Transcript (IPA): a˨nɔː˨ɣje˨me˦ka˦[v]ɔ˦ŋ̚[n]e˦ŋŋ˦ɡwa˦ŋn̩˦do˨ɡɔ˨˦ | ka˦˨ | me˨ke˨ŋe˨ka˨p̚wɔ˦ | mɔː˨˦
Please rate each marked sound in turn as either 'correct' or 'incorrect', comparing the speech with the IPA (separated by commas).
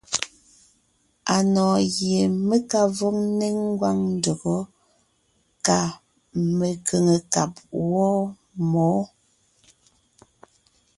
correct, correct